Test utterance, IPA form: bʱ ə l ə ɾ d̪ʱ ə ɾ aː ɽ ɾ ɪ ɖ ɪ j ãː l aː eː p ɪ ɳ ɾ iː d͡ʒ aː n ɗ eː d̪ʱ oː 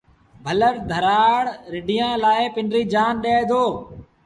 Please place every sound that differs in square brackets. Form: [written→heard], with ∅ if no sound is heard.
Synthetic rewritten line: bʱ ə l ə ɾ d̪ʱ ə ɾ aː ɽ ɾ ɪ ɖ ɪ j ãː l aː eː p ɪ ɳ ɾ iː d͡ʒ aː n ɗ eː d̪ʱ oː